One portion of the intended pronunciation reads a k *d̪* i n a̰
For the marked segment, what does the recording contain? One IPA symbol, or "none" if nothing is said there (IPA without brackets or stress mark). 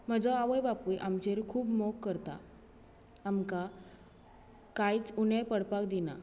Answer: d̪